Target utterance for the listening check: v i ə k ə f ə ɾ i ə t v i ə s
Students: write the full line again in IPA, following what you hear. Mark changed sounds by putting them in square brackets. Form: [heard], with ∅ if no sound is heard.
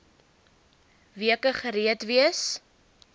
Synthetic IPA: v i ə k ə [χ] ə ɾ i ə t v i ə s